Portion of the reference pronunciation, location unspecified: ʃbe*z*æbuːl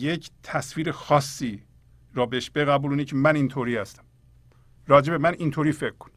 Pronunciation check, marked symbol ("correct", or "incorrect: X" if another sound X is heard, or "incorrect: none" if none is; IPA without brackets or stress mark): incorrect: ɣ